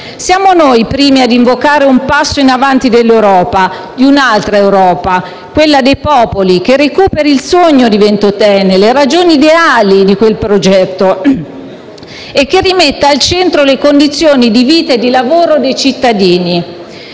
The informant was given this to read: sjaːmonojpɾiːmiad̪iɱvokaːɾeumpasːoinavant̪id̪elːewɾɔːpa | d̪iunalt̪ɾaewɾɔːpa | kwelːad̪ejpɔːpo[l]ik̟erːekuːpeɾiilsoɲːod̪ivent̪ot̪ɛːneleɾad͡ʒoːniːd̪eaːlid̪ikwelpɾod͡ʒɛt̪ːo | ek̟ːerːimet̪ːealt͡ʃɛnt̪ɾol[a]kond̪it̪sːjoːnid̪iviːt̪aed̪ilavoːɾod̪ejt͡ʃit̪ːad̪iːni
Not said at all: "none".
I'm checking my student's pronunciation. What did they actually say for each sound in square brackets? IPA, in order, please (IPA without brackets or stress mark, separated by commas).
l, e